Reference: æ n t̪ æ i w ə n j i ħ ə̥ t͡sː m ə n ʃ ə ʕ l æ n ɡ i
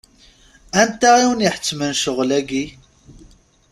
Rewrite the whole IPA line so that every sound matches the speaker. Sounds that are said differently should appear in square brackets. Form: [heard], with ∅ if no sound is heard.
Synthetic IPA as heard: æ n t̪ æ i w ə n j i ħ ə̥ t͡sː m ə n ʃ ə [ʁ] l æ [∅] ɡ i